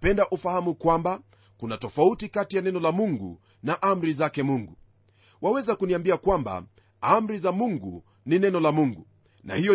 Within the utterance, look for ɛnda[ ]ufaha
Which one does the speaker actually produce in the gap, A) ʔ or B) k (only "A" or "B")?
A